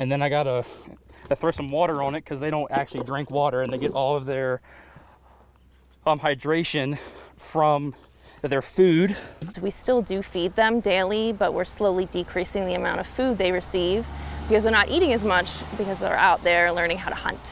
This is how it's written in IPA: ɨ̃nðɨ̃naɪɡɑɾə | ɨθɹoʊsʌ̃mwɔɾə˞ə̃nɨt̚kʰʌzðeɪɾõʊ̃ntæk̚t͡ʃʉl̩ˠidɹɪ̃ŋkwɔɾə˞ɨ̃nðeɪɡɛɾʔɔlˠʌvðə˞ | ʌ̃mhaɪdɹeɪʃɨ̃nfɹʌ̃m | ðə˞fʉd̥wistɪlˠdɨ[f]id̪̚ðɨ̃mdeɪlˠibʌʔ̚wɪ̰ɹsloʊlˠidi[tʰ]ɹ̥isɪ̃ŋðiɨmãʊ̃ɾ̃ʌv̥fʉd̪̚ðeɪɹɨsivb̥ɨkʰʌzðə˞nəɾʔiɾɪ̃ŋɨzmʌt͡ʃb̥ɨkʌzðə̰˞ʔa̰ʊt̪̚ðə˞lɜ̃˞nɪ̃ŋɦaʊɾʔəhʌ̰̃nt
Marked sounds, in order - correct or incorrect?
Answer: correct, incorrect: kʰ

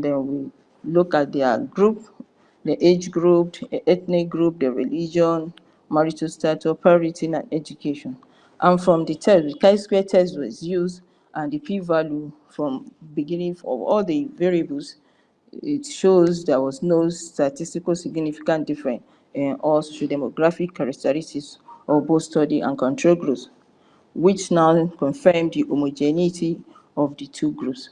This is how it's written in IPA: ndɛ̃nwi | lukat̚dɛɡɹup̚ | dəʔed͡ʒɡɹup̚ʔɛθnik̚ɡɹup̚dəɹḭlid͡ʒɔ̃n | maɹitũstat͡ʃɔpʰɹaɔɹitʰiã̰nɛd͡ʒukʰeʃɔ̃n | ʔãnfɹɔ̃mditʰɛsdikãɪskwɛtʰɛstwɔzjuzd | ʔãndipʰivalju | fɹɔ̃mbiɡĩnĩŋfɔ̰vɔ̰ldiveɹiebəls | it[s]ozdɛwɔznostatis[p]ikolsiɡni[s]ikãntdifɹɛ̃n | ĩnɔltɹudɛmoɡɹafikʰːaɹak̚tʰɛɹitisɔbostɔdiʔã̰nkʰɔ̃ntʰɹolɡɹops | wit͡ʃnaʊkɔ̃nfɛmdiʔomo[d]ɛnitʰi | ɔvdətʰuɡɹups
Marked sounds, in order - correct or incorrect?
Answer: incorrect: ʃ, incorrect: t, incorrect: f, incorrect: d͡ʒ

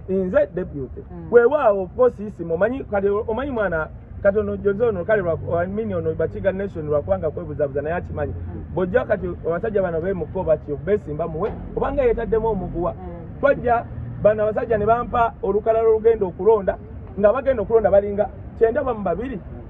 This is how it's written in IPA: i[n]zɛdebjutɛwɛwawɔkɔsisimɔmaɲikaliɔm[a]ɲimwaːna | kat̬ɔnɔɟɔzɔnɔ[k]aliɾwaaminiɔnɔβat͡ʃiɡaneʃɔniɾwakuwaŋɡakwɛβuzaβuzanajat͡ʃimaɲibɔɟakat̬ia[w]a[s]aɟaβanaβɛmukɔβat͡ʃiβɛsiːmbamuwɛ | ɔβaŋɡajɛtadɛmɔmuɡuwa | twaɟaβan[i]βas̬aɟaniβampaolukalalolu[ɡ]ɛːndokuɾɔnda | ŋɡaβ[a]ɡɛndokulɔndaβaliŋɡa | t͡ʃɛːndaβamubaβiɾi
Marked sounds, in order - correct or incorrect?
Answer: correct, correct, correct, incorrect: β, correct, incorrect: a, correct, correct

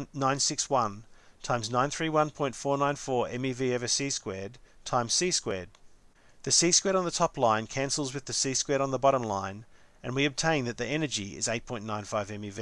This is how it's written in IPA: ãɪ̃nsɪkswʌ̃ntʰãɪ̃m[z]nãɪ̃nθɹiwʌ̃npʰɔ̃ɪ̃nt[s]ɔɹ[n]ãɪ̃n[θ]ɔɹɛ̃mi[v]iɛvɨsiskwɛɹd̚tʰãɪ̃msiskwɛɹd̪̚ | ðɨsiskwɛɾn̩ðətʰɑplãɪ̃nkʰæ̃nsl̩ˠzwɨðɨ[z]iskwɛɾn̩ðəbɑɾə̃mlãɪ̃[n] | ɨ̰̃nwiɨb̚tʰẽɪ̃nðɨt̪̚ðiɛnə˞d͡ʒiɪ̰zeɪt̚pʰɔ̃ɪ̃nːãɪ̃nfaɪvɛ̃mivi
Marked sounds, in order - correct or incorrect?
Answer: correct, incorrect: f, correct, incorrect: f, correct, incorrect: s, correct

